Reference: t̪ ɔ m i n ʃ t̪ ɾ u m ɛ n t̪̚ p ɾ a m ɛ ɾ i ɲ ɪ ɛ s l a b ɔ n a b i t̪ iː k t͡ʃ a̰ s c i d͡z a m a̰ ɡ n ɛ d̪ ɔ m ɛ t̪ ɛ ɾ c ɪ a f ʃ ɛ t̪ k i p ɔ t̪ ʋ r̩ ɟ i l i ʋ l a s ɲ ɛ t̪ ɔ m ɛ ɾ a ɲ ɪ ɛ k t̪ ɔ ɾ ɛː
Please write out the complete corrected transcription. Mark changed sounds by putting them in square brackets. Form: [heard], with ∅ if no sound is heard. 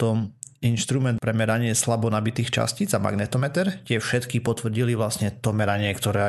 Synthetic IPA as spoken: t̪ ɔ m i n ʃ t̪ ɾ u m ɛ n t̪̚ p ɾ [ɛ] m ɛ ɾ [a] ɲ ɪ ɛ s l a b ɔ n a b i t̪ iː [x] t͡ʃ a̰ s c i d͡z a m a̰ ɡ n ɛ [t̪] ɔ m ɛ t̪ ɛ ɾ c ɪ [ɛ] f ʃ ɛ t̪ k i p ɔ t̪ ʋ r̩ ɟ i l i ʋ l a s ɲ ɛ t̪ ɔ m ɛ ɾ a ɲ ɪ ɛ k t̪ ɔ ɾ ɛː